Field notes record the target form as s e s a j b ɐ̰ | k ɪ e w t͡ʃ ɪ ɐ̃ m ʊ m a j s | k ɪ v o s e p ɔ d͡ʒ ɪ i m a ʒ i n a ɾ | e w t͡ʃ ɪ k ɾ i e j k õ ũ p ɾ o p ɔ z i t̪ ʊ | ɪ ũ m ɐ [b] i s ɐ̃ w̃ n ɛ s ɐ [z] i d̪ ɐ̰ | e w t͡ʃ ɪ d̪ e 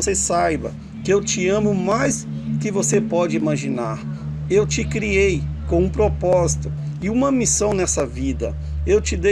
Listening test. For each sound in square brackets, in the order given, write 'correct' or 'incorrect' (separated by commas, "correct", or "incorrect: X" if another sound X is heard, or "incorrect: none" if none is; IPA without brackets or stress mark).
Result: incorrect: m, incorrect: v